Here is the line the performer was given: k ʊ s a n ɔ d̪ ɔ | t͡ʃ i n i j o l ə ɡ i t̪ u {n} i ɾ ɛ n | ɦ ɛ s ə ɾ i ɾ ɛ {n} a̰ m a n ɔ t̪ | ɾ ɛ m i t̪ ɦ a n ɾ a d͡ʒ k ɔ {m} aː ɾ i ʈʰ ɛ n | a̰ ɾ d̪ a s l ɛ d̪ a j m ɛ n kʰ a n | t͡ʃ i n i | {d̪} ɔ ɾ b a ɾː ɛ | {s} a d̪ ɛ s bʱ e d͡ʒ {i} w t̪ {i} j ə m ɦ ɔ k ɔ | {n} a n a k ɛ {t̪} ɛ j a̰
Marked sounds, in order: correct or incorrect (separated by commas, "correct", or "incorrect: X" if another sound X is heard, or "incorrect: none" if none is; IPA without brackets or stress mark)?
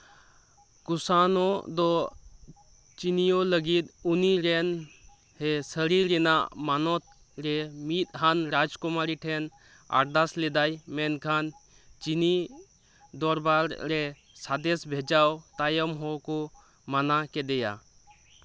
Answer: correct, correct, correct, correct, correct, incorrect: a, incorrect: a, incorrect: m, incorrect: d̪